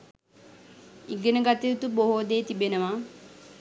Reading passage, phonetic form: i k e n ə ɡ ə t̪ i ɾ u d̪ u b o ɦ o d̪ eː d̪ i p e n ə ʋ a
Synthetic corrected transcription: i ɡ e n ə ɡ a t̪ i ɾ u t̪ u b o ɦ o d̪ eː t̪ i b e n ə ʋ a